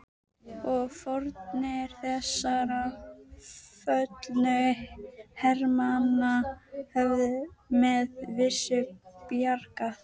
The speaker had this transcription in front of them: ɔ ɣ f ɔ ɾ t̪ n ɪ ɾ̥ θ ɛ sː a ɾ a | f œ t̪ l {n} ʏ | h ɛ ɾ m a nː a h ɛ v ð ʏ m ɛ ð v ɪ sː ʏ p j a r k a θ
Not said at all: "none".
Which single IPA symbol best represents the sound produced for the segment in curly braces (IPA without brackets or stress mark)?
n